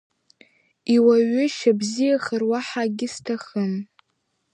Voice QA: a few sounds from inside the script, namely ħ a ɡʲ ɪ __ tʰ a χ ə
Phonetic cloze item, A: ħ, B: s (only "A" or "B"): B